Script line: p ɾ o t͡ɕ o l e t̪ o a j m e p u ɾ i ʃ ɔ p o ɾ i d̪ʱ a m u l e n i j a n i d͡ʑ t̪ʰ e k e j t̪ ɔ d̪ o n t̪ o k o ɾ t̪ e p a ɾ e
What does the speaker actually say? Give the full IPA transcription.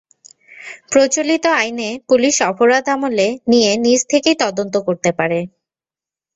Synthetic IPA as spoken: p ɾ o t͡ɕ o l i t̪ o a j n e p u l i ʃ ɔ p o ɾ a d̪ʱ a m o l e n i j e n i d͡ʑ t̪ʰ e k e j t̪ ɔ d̪ o n t̪ o k o ɾ t̪ e p a ɾ e